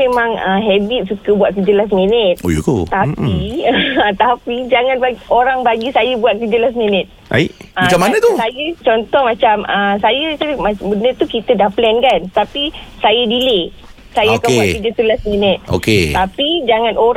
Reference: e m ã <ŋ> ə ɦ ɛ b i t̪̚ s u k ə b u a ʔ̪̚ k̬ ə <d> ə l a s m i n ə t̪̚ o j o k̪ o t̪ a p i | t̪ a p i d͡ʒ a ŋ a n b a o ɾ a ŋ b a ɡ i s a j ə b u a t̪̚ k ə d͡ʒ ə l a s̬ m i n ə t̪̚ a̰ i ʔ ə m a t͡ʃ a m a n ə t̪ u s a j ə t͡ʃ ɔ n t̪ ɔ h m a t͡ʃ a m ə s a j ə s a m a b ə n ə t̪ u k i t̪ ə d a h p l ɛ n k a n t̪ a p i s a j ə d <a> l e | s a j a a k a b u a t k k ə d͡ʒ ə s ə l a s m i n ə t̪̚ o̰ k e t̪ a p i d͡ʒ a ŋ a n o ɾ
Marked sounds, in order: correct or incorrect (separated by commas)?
correct, incorrect, incorrect